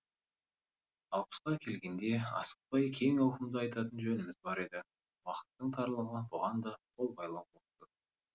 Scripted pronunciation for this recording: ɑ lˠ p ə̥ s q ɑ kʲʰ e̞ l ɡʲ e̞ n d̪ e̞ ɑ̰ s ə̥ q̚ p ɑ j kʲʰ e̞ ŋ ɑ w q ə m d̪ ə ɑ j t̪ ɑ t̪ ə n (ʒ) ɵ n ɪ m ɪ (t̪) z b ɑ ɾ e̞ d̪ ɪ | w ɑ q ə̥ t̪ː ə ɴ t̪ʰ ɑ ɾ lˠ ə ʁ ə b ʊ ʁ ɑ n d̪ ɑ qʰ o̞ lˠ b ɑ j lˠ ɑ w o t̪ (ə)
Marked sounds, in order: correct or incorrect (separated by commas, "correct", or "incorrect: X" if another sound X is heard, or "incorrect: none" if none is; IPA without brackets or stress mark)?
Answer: correct, incorrect: none, correct